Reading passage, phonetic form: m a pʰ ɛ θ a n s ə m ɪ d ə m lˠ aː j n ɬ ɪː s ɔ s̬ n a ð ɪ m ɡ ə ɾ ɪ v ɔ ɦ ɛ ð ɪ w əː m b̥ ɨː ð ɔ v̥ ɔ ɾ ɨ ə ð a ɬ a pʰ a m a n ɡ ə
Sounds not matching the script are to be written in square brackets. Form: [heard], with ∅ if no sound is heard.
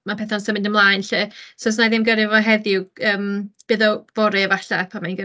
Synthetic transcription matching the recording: m a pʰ ɛ θ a n s ə m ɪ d ə m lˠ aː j n ɬ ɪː s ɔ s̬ n a ð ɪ m ɡ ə ɾ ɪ v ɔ ɦ ɛ ð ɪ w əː m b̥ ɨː ð ɔ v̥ ɔ ɾ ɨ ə [v] a ɬ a pʰ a m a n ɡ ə